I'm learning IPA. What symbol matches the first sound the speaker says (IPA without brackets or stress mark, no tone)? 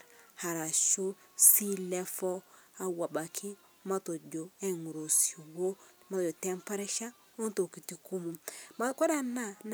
h